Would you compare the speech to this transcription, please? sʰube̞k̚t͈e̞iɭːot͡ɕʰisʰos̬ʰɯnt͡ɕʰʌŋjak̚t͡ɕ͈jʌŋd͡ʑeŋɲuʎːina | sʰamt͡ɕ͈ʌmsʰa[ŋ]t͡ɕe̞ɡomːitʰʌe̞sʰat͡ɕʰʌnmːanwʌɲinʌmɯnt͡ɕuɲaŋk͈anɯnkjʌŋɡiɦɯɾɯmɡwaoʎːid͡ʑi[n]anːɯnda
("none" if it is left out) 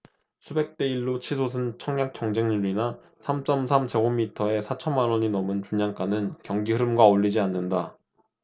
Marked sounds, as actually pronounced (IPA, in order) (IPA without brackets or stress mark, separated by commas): m, none